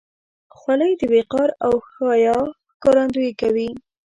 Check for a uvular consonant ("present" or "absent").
present